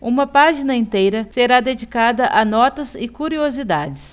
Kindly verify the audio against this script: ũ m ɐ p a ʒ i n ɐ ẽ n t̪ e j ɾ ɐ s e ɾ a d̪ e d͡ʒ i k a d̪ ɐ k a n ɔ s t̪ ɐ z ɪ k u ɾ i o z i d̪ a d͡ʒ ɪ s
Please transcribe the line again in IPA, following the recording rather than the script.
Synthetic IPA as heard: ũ m ɐ p a ʒ i n ɐ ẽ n t̪ e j ɾ ɐ s e ɾ a d̪ e d͡ʒ i k a d̪ ɐ ʔ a n ɔ t̪ ɐ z ɪ k u ɾ i o z i d̪ a d͡ʒ ɪ s